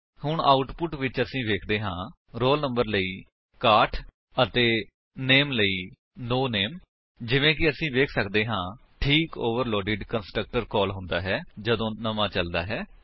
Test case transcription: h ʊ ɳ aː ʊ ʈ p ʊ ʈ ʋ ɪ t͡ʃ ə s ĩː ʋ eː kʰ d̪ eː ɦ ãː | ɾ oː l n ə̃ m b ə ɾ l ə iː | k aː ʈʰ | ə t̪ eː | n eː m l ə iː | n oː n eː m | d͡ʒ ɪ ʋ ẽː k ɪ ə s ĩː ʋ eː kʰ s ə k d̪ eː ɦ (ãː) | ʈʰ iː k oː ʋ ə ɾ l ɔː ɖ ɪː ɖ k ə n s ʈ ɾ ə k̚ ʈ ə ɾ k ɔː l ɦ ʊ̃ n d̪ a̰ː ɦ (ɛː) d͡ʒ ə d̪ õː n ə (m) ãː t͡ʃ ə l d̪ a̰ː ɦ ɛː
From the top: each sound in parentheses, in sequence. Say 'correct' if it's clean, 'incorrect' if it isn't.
correct, correct, correct

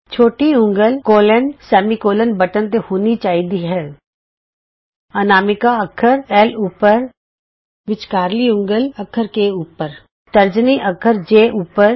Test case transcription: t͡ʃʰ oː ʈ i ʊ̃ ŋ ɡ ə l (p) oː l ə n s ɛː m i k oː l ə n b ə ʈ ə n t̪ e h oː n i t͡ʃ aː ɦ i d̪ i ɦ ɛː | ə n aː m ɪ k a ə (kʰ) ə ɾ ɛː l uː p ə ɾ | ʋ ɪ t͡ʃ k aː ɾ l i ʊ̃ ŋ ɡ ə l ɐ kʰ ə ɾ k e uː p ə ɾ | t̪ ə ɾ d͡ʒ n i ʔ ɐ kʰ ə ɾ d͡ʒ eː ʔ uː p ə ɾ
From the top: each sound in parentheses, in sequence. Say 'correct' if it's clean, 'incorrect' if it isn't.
incorrect, correct

